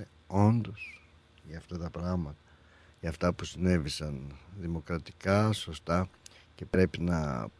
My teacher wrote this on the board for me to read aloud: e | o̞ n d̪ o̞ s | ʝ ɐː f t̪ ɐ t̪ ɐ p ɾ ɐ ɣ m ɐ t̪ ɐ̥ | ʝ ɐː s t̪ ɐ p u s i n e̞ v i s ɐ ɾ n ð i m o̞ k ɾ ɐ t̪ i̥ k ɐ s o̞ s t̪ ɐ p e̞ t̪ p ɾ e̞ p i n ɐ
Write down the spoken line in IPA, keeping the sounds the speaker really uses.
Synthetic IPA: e | o̞ n d̪ o̞ s | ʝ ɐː f t̪ ɐ t̪ ɐ p ɾ ɐ ɣ m ɐ t̪ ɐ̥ | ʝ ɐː f t̪ ɐ p u s i n e̞ v i s ɐ n ð i m o̞ k ɾ ɐ t̪ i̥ k ɐ s o̞ s t̪ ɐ c e̞ p ɾ e̞ p i n ɐ